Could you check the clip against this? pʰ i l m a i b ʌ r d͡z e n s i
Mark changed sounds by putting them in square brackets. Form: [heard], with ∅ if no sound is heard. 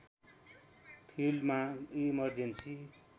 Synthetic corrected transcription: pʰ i l m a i [m] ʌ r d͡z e n s i

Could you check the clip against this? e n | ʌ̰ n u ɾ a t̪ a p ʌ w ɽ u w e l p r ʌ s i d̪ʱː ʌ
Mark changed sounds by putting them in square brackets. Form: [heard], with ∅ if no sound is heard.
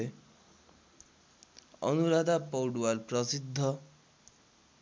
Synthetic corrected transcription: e [∅] | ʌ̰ n u ɾ a [d̪] a p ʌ w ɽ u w [a] l p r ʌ s i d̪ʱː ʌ

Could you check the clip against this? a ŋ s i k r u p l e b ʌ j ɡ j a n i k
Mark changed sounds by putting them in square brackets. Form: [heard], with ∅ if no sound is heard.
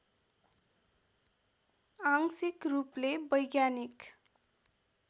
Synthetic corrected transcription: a ŋ s i k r u p l e b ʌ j ɡ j a n i k

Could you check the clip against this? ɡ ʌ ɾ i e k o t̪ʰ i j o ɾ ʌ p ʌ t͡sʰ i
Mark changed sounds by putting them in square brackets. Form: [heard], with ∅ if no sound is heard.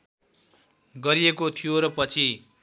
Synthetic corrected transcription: ɡ ʌ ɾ i e k o t̪ʰ i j o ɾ ʌ p ʌ t͡sʰ i

